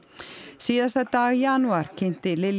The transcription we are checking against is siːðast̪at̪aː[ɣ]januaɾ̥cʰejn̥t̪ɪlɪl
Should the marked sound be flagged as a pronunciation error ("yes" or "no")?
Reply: no